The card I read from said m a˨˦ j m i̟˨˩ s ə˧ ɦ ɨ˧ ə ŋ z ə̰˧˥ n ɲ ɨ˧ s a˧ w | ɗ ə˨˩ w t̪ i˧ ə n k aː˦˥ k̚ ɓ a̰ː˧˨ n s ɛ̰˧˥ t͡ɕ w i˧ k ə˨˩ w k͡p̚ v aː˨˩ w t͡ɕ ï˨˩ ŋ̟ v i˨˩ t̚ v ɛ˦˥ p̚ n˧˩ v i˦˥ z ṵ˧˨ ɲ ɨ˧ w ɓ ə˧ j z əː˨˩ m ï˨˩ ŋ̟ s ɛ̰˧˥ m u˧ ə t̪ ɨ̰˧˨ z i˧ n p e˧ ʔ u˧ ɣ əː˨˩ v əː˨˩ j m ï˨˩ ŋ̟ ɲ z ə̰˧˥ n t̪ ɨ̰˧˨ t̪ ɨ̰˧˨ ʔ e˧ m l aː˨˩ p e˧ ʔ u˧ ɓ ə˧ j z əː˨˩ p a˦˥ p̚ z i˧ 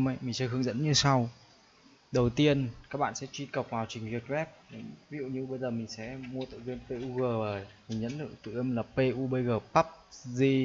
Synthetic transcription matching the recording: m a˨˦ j m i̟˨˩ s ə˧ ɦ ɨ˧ ə ŋ z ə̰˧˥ n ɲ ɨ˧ s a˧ w | ɗ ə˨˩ w t̪ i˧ ə n k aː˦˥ k̚ ɓ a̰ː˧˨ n s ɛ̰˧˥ t͡ɕ w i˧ k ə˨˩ w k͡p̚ v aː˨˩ w t͡ɕ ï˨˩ ŋ̟ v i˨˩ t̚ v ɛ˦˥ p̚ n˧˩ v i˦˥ z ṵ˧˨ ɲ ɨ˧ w ɓ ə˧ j z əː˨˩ m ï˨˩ ŋ̟ s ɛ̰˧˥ m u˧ ə t̪ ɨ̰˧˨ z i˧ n p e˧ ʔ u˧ ɣ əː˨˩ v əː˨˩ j m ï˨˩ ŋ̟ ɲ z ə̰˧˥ n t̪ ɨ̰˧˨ t̪ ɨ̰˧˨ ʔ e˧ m l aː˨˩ p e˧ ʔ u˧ ɓ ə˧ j ɣ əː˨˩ p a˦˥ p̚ z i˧